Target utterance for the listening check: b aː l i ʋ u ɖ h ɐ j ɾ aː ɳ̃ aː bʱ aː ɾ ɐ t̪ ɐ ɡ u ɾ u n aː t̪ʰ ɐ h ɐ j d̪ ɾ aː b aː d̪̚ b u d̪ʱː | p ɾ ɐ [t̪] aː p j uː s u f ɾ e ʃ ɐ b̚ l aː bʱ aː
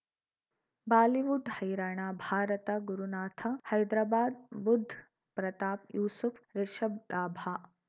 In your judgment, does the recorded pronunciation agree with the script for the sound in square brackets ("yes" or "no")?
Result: yes